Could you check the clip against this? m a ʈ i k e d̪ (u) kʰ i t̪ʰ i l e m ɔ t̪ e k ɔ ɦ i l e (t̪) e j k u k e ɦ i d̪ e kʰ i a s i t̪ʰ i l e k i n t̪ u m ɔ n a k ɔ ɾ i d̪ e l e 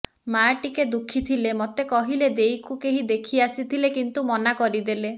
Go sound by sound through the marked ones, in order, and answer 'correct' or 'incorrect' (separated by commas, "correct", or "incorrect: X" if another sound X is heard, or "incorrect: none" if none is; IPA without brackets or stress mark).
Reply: correct, incorrect: d̪